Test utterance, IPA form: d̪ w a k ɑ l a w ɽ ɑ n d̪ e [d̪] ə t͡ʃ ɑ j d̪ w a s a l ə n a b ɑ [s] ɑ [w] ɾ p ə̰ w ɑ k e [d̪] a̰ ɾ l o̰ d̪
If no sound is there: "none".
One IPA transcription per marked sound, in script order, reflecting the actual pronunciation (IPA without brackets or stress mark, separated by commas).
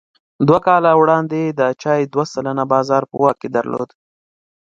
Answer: d̪, z, none, d̪